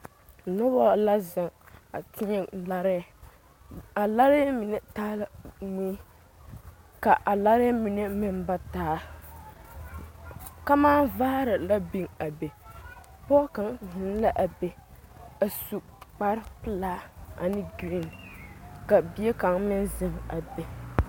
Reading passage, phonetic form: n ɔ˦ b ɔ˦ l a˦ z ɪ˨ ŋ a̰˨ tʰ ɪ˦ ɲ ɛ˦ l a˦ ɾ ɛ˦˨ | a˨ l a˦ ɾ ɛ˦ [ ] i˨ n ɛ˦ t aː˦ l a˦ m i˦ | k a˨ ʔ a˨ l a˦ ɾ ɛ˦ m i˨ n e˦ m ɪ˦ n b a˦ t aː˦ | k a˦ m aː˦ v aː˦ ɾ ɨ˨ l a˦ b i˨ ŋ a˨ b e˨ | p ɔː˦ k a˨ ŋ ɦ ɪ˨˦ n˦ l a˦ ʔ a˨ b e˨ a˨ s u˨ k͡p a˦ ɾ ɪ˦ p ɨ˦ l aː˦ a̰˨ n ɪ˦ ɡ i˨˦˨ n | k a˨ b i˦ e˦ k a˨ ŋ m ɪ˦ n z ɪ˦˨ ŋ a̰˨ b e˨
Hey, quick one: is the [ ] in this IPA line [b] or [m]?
m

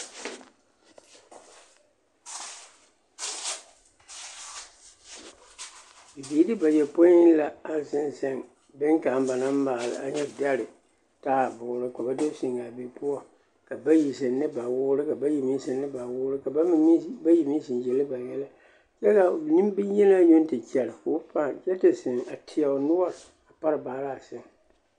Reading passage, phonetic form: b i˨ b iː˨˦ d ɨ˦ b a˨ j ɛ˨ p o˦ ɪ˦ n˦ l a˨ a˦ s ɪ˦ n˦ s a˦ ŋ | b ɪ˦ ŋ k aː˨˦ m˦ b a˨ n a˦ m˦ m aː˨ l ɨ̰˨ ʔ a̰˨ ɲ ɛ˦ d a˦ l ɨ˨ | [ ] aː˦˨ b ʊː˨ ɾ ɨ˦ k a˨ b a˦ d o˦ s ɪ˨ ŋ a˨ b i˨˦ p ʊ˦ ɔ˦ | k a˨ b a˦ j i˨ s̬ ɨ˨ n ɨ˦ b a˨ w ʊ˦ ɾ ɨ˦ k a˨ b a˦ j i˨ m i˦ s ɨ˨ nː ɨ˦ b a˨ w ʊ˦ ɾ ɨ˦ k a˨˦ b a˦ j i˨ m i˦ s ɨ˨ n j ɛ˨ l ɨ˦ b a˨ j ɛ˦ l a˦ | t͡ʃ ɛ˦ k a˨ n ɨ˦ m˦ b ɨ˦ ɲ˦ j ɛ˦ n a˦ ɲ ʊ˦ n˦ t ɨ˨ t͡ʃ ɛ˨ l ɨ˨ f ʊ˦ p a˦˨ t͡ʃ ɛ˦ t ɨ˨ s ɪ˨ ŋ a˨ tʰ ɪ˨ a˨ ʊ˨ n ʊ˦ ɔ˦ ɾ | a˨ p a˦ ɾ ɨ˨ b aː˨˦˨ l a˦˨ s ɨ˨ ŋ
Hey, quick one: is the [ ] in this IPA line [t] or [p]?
t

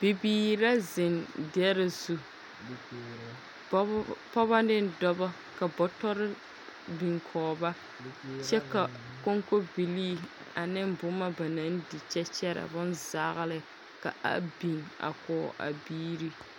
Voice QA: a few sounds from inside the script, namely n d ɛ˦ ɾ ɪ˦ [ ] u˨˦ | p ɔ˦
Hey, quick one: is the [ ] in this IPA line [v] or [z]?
z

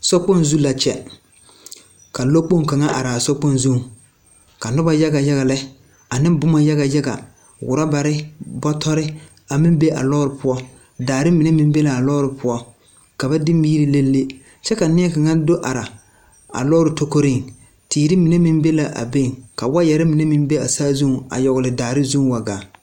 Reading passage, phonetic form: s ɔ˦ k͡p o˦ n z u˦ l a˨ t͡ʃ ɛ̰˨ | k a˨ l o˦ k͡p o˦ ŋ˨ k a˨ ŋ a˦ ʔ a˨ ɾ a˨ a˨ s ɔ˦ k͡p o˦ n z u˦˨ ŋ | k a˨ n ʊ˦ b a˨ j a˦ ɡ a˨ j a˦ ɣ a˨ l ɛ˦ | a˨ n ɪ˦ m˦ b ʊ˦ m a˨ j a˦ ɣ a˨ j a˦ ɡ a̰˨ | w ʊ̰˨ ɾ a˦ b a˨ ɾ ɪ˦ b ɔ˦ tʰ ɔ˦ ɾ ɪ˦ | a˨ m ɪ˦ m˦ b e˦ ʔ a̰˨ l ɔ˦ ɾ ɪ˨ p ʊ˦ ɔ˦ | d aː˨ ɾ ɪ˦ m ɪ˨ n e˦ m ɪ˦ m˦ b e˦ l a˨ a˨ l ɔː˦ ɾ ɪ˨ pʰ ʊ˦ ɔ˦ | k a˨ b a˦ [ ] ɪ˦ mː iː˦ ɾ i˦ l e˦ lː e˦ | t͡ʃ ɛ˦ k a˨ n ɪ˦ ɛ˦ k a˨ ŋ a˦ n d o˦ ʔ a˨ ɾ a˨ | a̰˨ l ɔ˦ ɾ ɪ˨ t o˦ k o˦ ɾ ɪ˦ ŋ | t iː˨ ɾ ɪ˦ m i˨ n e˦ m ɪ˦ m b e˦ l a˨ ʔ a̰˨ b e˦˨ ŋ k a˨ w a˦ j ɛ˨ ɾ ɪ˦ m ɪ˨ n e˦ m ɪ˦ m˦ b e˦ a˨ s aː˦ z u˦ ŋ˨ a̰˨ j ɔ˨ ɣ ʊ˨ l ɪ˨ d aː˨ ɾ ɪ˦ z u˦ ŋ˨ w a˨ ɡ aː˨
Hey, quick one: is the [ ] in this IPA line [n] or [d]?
d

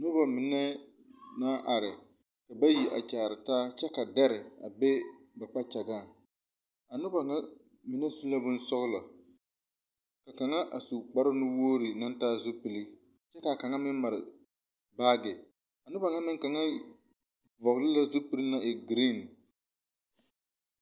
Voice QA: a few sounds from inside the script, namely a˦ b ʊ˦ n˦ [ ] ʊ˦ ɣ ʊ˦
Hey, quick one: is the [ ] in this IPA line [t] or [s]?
s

